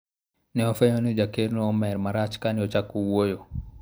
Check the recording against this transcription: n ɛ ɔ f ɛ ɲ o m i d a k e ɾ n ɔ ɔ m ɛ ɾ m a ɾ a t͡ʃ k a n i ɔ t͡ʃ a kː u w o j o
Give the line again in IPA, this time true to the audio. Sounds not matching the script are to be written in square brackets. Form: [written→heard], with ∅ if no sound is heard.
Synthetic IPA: n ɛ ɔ f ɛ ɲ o [m→n] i [d→d͡ʒ] a k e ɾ n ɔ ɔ m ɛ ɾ m a ɾ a t͡ʃ k a n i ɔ t͡ʃ a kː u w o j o